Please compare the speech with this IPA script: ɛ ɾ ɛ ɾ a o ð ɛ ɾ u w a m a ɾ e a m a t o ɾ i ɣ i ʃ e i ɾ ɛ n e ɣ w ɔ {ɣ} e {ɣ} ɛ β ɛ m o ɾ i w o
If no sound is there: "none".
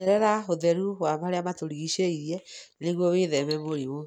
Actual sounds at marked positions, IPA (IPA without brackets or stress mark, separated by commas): w, ð